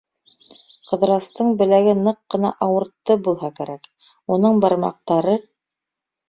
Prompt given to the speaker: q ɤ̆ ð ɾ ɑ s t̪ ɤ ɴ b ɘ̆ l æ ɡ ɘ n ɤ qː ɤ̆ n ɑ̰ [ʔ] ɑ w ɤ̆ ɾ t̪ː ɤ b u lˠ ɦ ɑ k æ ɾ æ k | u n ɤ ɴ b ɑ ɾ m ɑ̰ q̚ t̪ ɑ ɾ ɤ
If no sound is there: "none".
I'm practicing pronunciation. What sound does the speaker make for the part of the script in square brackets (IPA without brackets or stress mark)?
ʔ